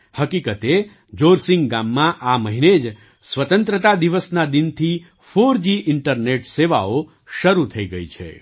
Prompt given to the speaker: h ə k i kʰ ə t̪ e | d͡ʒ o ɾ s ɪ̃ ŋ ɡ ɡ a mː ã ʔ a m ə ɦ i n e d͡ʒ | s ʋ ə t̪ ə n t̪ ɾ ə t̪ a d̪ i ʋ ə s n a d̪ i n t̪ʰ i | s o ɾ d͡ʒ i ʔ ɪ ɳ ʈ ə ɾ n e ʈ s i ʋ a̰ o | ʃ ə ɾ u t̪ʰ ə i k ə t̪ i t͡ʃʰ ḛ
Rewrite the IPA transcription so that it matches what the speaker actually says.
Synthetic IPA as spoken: h ə k i k ə t̪ e | d͡ʒ o ɾ s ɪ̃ ŋ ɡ ɡ a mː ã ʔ a m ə ɦ i n e d͡ʒ | s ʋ ə t̪ ə n t̪ ɾ ə t̪ a d̪ i ʋ ə s n a d̪ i n t̪ʰ i | f o ɾ d͡ʒ i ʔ ɪ ɳ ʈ ə ɾ n e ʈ s e ʋ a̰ o | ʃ ə ɾ u t̪ʰ ə i ɡ ə i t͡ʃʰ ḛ